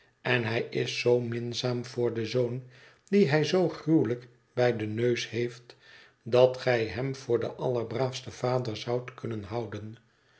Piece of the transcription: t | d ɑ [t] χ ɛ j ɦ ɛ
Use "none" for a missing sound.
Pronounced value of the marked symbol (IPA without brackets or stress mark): t